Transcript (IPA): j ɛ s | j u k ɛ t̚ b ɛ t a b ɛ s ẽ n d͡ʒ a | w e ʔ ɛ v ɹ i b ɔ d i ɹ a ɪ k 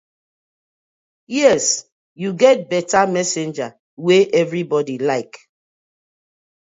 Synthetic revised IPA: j ɛ s | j u ɡ ɛ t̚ b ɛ t a m ɛ s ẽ n d͡ʒ a | w e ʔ ɛ v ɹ i b ɔ d i l a ɪ k

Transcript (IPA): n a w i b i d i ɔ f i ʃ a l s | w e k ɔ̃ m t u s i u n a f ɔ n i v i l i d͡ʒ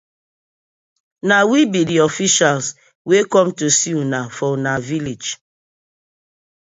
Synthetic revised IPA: n a w i b i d i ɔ f i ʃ a l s | w e k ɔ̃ m t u s i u n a f ɔ n a v i l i d͡ʒ

